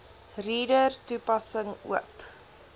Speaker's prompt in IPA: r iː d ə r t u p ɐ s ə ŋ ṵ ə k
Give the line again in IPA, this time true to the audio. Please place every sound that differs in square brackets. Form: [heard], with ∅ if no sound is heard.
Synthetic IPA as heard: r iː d ə r t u p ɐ s ə ŋ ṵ ə [p]